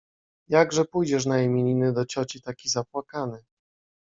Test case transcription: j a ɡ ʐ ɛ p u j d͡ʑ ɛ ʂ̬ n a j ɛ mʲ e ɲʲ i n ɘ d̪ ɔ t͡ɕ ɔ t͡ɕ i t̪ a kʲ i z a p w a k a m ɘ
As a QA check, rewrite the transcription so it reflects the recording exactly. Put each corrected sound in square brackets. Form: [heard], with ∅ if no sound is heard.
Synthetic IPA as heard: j a ɡ ʐ ɛ p u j d͡ʑ ɛ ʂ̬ n a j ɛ mʲ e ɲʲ i n ɘ d̪ ɔ t͡ɕ ɔ t͡ɕ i t̪ a kʲ i z a p w a k a [n] ɘ